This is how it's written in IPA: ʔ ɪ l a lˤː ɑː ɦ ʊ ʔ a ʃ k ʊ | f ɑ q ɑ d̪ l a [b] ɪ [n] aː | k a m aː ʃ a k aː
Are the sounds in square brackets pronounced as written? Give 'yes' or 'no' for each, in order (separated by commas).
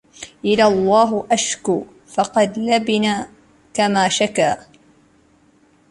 yes, yes